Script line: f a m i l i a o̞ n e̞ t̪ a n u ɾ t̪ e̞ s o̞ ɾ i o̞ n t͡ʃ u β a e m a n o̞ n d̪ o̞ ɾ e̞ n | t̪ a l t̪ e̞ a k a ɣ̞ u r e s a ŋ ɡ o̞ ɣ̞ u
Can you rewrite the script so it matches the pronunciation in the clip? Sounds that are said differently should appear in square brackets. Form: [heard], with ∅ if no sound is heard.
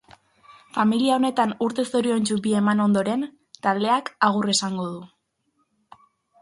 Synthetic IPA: f a m i l i a o̞ n e̞ t̪ a n u ɾ t̪ e̞ s o̞ ɾ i o̞ n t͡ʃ u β [i] e m a n o̞ n d̪ o̞ ɾ e̞ n | t̪ a l [d̪] e̞ a k a ɣ̞ u r e s a ŋ ɡ o̞ [ð̞] u